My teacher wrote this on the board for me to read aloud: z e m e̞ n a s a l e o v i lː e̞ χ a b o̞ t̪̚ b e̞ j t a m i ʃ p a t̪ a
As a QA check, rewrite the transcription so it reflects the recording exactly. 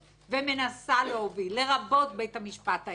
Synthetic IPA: v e m e̞ n a s a l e o v i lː e̞ ʁ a b o̞ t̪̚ b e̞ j t a m i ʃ p a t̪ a